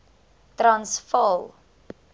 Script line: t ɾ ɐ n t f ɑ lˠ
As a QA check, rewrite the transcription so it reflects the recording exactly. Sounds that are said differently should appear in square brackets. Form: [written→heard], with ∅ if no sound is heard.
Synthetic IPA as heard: t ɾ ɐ n [t→s] f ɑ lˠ